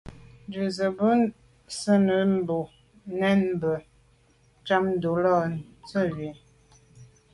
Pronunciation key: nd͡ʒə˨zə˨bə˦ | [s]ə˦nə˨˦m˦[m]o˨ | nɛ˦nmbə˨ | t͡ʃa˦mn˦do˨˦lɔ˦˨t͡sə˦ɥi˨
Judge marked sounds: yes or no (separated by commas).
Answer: yes, no